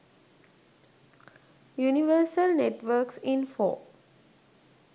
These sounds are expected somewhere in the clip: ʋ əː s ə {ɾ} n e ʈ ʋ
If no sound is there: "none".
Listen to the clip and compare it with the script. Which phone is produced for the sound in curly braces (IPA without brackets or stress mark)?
l